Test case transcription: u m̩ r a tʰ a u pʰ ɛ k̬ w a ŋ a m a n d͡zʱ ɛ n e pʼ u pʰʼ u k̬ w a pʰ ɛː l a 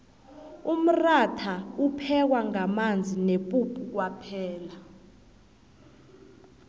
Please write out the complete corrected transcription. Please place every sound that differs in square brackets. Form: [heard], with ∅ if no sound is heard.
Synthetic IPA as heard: u m̩ r a tʰ a u pʰ ɛ k̬ w a ŋ a m a n d͡zʱ [i] n e pʼ u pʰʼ u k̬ w a pʰ ɛː l a